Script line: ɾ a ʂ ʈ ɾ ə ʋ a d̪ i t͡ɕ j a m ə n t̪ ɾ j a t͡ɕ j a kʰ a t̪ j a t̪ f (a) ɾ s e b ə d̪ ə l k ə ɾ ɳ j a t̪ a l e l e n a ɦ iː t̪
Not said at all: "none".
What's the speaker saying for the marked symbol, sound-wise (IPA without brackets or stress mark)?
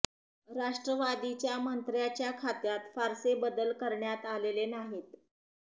a